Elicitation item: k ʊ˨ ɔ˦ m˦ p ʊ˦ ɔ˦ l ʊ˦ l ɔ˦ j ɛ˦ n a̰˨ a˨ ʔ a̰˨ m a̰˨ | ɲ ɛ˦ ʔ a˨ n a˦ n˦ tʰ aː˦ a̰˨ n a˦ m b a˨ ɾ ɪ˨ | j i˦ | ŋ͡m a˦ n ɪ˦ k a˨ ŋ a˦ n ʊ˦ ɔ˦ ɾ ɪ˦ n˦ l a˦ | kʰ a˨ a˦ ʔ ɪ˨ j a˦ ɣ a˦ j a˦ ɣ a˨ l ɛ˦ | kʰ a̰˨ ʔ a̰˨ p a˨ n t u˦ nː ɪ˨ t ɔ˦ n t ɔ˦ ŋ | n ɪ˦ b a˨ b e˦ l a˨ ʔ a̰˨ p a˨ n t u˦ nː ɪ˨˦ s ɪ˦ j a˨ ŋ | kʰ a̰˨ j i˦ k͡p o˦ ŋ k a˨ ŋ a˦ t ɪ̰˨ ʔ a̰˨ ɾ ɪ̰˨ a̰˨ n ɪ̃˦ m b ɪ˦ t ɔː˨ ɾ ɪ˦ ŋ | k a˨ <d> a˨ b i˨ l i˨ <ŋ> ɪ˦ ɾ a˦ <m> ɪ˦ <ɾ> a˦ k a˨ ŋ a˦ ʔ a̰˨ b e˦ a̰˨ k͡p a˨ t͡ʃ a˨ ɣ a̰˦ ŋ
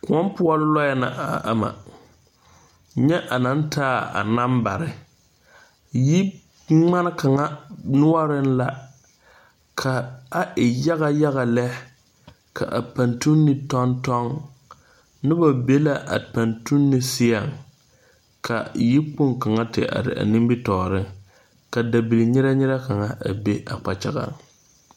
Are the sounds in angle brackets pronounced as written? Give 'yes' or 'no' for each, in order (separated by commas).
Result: yes, no, no, yes